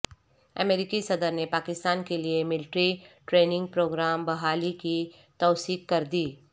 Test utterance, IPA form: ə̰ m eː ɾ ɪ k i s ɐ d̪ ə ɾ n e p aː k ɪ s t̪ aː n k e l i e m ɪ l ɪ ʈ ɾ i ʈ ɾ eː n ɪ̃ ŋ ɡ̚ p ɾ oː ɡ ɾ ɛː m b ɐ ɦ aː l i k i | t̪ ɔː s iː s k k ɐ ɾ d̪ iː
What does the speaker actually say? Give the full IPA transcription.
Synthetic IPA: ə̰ m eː ɾ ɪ k i s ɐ d̪ ə ɾ n e p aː k ɪ s t̪ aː n k e l i e m ɪ l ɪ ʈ ɾ i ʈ ɾ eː n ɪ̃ ŋ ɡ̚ p ɾ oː ɡ ɾ aː m b ɐ ɦ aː l i k i | t̪ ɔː s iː k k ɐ ɾ d̪ iː